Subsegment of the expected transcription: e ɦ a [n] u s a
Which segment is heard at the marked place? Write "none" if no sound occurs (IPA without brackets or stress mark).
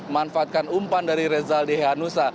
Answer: n